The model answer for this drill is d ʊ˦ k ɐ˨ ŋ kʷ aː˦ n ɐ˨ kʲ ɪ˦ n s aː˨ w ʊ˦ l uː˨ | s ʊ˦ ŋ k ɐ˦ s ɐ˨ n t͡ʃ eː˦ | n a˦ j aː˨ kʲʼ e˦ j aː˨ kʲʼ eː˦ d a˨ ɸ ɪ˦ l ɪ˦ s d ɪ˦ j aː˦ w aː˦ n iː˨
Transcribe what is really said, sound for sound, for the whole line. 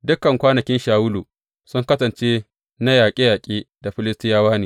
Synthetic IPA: d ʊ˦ k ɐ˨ ŋ kʷ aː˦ n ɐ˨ kʲ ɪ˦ n ʃ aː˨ w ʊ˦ l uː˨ | s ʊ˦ ŋ k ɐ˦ s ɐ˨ n t͡ʃ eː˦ | n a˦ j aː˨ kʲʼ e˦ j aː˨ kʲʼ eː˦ d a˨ ɸ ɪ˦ l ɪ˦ s t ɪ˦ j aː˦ w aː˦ n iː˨

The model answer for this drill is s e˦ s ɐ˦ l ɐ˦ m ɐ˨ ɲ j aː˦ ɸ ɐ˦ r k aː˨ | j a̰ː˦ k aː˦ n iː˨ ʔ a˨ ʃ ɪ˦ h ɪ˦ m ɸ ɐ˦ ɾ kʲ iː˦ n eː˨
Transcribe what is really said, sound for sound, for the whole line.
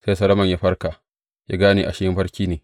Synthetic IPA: s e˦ s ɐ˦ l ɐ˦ m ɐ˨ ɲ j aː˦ ɸ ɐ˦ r k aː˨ | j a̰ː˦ ɡ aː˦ n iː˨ ʔ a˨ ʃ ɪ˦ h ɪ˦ m ɸ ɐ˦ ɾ kʲ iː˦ n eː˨

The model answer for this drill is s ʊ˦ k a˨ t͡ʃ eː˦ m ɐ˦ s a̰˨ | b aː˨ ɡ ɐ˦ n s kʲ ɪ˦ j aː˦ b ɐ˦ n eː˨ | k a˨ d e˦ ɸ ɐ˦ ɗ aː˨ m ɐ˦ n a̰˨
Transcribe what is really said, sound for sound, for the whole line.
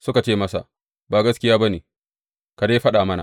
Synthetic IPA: s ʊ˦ k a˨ t͡ʃ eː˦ m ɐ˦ s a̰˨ | b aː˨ ɡ ɐ˦ s kʲ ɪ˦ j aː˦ b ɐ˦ n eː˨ | k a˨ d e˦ ɸ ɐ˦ ɗ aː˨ m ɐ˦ n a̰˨

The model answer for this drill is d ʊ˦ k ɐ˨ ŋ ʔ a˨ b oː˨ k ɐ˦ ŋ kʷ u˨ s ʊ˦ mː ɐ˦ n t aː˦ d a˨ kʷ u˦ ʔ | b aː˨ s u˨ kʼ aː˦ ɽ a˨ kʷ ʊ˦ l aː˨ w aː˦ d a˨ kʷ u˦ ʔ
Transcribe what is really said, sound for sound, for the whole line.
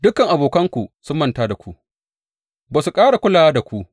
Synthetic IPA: d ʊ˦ k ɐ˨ ŋ ʔ a˨ b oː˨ k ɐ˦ ŋ kʷ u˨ s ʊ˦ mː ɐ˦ n t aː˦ d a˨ kʷ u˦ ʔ | b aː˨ s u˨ kʼ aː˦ ɽ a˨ kʷ ʊ˦ l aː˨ w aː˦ d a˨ kʷ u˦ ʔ

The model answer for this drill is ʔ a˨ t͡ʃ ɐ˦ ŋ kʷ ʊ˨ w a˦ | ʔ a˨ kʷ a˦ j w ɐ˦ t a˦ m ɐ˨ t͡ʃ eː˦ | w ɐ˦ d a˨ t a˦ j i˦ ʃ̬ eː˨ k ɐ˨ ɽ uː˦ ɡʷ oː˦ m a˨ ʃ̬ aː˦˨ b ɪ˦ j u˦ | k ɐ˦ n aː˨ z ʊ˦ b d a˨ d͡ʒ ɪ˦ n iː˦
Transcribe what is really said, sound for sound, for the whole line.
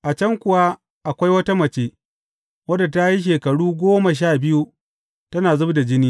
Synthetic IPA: ʔ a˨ t͡ʃ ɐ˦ ŋ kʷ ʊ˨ w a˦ | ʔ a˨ kʷ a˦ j w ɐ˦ t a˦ m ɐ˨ t͡ʃ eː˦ | w ɐ˦ d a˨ t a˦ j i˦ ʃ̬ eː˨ k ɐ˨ ɽ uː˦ ɡʷ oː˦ m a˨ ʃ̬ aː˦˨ b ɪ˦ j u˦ | t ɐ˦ n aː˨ z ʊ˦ b d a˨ d͡ʒ ɪ˦ n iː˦

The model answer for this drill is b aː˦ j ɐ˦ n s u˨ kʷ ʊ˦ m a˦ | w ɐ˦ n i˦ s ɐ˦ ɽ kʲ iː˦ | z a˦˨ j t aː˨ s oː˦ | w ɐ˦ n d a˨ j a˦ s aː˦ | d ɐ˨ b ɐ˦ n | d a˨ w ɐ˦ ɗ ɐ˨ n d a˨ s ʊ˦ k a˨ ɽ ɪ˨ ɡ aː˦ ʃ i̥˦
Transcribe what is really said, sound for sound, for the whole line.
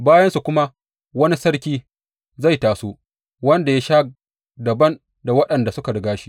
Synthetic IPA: b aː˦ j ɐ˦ n s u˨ kʷ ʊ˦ m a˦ | w ɐ˦ n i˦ s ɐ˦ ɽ kʲ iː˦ | z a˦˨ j t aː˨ s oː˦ | w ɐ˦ n d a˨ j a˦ ʃ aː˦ | d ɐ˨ b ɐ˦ n | d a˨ w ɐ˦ ɗ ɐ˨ n d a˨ s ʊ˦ k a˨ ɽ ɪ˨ ɡ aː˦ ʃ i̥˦

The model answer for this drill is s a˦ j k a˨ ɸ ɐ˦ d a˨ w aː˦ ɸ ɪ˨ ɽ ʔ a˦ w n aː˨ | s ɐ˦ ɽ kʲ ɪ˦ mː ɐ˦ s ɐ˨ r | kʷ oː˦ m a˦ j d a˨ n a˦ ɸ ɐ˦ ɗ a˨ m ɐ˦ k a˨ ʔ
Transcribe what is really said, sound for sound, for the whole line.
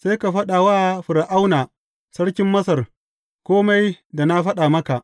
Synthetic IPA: s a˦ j k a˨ ɸ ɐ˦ ɗ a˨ w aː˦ ɸ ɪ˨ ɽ ʔ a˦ w n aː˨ | s ɐ˦ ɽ kʲ ɪ˦ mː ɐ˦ s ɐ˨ r | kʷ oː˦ m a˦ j d a˨ n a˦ ɸ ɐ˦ ɗ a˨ m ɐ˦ k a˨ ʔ

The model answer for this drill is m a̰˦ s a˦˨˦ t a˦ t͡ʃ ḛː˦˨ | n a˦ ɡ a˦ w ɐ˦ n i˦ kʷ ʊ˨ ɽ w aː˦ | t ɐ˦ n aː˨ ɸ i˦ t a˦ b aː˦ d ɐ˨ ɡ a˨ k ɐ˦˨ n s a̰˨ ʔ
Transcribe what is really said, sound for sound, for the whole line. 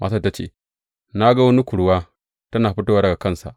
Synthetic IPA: m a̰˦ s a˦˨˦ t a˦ t͡ʃ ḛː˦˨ | n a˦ ɡ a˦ w ɐ˦ n i˦ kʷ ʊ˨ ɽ w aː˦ | t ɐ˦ n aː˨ ɸ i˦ t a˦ w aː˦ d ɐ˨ ɡ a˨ k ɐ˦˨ n s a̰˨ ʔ

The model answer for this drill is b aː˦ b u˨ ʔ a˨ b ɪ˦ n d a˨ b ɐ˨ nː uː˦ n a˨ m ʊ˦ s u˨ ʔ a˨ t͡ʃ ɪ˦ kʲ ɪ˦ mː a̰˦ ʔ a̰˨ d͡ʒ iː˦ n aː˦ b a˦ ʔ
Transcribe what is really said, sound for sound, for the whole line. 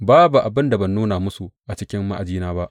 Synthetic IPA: b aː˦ b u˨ ʔ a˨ b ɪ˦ n d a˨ b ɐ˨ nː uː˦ n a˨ m ʊ˦ s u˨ ʔ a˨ t͡ʃ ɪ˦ kʲ ɪ˦ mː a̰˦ ʔ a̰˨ d͡ʒ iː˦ n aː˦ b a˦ ʔ

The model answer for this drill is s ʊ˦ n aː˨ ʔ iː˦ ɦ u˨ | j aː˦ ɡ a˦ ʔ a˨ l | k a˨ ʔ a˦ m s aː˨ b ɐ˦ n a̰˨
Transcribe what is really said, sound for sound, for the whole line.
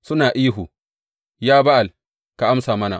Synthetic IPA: s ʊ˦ n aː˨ ʔ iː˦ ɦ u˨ | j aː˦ b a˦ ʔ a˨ l | k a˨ ʔ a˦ m s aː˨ m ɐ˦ n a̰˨

